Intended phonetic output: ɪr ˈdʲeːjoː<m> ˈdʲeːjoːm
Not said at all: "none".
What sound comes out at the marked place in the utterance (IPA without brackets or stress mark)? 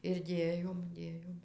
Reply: m